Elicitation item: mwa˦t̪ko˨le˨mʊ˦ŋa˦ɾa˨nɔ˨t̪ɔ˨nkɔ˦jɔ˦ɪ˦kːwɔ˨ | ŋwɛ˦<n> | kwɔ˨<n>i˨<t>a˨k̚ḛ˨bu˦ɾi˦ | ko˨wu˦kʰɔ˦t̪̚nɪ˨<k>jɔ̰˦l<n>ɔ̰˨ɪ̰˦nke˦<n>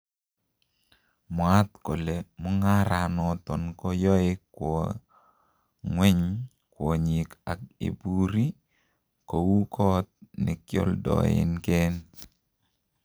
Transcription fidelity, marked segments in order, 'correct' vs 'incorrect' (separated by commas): incorrect, incorrect, incorrect, correct, incorrect, correct